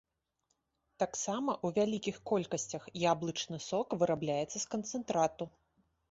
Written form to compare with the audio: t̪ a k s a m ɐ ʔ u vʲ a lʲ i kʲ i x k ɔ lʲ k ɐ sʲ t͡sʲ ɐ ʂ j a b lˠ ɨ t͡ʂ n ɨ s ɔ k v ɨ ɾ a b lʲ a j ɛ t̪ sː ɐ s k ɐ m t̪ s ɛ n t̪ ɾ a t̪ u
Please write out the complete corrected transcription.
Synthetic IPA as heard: t̪ a k s a m ɐ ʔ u vʲ a lʲ i kʲ i x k ɔ lʲ k ɐ sʲ t͡sʲ ɐ x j a b lˠ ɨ t͡ʂ n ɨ s ɔ k v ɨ ɾ a b lʲ a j ɛ t̪ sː ɐ s k ɐ n t̪ s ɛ n t̪ ɾ a t̪ u